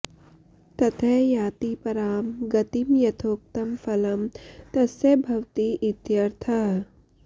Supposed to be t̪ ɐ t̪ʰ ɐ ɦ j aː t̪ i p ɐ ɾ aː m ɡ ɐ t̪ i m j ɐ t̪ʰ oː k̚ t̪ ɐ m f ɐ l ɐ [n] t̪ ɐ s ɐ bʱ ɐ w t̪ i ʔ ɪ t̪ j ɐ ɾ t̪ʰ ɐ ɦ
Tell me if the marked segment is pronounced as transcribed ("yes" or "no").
no